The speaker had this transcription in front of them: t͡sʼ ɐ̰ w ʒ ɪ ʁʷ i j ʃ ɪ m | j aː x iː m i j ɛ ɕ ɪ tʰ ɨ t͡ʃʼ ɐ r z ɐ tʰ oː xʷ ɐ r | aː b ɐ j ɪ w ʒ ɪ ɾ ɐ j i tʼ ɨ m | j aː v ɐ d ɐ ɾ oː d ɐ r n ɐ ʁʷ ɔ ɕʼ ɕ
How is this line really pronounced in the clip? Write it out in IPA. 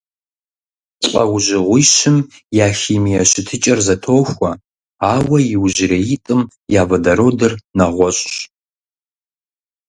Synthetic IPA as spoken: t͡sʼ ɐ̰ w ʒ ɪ ʁʷ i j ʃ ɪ m | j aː x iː m i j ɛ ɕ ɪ tʰ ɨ t͡ʃʼ ɐ r z ɐ tʰ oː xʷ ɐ | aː w ɐ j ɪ w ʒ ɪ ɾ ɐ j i tʼ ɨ m | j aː v ɐ d ɐ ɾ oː d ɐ r n ɐ ʁʷ ɔ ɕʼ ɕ